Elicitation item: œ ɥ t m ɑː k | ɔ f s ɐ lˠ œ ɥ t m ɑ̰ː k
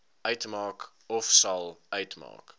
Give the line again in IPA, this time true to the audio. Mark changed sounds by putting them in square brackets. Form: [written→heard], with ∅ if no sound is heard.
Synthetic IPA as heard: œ ɥ t m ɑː k | ɔ f s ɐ lˠ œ ɥ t m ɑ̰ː k